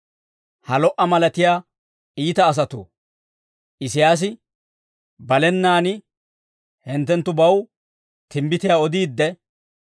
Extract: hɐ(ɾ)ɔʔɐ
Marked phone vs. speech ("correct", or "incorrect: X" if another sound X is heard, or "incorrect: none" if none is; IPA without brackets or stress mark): incorrect: l